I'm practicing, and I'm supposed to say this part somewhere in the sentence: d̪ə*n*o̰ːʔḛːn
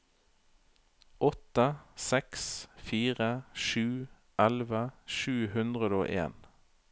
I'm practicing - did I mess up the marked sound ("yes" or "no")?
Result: yes